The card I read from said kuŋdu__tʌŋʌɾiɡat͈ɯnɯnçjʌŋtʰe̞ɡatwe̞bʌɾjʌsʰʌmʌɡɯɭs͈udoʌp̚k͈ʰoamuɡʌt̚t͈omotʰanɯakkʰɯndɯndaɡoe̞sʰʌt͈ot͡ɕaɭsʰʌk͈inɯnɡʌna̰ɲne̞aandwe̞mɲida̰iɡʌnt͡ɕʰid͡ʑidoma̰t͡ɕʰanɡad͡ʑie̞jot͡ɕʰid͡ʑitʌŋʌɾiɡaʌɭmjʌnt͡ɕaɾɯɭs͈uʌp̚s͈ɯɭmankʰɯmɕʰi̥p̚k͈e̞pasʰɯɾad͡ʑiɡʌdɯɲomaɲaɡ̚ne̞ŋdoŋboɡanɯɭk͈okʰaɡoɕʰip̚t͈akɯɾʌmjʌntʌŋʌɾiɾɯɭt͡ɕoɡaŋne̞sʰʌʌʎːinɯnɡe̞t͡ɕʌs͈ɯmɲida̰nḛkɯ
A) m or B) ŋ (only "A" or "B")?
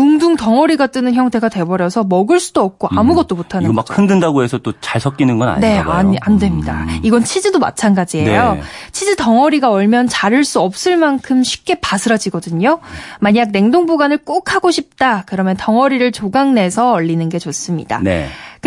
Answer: B